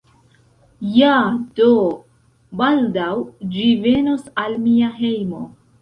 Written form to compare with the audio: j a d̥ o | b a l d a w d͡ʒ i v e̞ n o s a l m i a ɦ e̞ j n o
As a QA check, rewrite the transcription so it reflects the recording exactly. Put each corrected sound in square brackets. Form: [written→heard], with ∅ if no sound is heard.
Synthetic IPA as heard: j a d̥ o | b a l d a w d͡ʒ i v e̞ n o s a l m i a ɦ e̞ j [n→m] o